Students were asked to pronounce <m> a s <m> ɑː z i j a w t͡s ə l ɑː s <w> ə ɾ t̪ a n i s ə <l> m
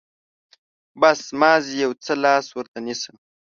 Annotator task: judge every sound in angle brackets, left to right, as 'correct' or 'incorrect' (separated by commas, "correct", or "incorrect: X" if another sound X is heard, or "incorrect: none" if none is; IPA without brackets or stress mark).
incorrect: b, correct, correct, incorrect: none